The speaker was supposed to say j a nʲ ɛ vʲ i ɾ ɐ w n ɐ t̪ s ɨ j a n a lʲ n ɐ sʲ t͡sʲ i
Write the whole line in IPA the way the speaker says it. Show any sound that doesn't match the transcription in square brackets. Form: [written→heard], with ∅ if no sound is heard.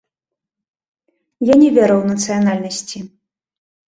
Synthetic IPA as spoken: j a nʲ ɛ vʲ [i→ɛ] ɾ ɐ w n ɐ t̪ s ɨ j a n a lʲ n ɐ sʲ t͡sʲ i